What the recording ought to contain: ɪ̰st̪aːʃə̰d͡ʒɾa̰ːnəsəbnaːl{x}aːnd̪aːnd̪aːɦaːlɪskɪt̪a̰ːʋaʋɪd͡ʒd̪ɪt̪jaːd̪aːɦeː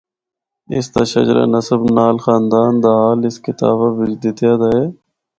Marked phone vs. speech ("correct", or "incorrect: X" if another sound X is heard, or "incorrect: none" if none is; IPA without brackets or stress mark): correct